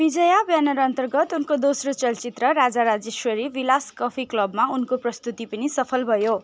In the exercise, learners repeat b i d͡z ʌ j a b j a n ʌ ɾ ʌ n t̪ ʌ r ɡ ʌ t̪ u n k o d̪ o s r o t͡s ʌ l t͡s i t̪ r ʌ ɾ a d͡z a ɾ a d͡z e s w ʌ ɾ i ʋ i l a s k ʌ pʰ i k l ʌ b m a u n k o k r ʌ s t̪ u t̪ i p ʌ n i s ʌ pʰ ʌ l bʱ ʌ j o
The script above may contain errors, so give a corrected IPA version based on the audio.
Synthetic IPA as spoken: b i d͡z ʌ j a b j a n ʌ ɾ ʌ n t̪ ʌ r ɡ ʌ t̪ u n k o d̪ o s r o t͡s ʌ l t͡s i t̪ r ʌ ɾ a d͡z a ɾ a d͡z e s w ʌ ɾ i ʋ i l a s k ʌ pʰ i k l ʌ b m a u n k o p r ʌ s t̪ u t̪ i p ʌ n i s ʌ pʰ ʌ l bʱ ʌ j o